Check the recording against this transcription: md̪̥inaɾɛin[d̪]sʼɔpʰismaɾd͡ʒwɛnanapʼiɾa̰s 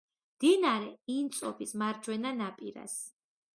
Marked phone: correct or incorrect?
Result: incorrect